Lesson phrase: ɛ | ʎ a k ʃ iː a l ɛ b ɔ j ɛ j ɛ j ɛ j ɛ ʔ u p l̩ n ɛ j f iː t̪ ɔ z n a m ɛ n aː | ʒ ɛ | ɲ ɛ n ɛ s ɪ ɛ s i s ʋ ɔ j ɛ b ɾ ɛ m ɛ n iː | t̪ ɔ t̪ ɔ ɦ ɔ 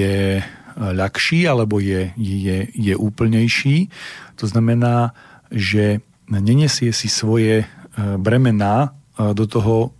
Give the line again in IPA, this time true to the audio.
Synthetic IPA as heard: ɛ | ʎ a k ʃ iː a l ɛ b ɔ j ɛ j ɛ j ɛ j ɛ ʔ uː p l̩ ɲ ɛ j ʃ iː t̪ ɔ z n a m ɛ n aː | ʒ ɛ | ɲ ɛ ɲ ɛ s ɪ ɛ s i s ʋ ɔ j ɛ b ɾ ɛ m ɛ n aː | d̪ ɔ t̪ ɔ ɦ ɔ